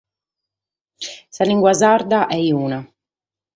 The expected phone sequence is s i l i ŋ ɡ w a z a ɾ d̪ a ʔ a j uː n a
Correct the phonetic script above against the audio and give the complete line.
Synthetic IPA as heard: s a l i ŋ ɡ w a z a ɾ d̪ a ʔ ɛ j uː n a